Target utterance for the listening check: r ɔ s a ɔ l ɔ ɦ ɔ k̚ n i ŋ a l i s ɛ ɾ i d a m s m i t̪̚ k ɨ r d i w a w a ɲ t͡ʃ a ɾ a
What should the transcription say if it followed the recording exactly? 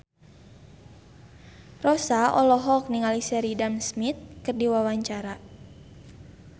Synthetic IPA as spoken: r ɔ s a ɔ l ɔ ɦ ɔ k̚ n i ŋ a l i s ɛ ɾ i d a m s m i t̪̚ k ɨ r d i w a w a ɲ t͡ʃ a ɾ a